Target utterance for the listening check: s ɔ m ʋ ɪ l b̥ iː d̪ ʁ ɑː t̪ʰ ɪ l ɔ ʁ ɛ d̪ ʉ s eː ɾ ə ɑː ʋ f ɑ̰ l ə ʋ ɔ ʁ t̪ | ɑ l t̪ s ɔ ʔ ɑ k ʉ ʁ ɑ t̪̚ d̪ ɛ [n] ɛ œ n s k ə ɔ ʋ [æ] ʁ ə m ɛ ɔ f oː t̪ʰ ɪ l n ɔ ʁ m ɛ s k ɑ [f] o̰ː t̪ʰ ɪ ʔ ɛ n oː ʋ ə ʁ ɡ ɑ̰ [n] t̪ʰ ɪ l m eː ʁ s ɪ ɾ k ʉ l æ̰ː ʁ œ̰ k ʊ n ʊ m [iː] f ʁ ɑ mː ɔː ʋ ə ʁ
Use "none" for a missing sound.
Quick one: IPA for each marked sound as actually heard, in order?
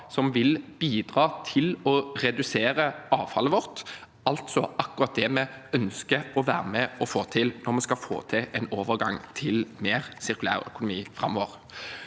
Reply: m, æː, f, ŋ, iː

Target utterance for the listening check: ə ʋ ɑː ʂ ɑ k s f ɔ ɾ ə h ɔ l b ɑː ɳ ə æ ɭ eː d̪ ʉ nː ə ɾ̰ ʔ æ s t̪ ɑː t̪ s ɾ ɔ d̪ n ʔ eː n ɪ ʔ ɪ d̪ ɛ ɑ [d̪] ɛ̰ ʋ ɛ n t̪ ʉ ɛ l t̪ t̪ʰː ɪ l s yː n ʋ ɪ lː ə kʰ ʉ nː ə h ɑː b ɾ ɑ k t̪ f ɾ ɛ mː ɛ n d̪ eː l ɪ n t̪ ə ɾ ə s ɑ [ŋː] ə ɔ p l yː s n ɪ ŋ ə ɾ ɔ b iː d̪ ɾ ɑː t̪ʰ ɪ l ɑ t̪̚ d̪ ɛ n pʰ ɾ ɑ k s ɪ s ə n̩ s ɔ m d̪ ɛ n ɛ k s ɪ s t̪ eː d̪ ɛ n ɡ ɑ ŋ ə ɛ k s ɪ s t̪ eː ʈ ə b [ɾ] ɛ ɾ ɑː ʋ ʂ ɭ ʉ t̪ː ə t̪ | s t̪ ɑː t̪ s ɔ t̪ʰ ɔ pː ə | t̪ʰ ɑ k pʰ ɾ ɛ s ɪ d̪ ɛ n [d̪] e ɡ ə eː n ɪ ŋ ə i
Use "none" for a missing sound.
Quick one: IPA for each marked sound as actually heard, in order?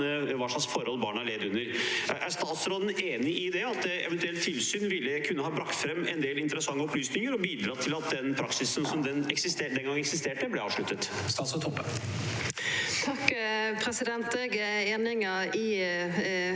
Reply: t̪, ŋː, l, t̪

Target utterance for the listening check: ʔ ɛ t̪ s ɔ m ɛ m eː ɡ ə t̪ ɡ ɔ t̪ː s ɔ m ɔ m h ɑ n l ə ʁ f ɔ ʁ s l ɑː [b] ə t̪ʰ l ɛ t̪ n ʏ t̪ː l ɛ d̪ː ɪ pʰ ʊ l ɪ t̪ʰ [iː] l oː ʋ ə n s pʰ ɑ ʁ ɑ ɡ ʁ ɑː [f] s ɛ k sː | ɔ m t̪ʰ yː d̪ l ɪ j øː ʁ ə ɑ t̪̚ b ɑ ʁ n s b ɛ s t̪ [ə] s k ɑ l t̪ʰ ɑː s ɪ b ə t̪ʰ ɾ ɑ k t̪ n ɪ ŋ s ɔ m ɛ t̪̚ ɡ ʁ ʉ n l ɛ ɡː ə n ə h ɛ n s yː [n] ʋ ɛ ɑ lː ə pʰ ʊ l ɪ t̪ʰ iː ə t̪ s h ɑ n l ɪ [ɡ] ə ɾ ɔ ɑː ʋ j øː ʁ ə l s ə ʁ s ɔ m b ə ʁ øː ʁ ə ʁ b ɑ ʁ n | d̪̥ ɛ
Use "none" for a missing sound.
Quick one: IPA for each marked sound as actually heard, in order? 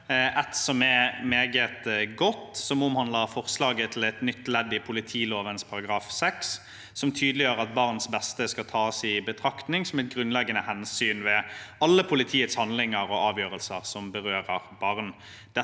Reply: ɡ, iː, f, ə, n, ŋ

